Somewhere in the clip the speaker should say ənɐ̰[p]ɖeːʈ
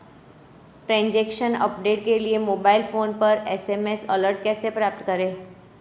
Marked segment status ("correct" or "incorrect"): correct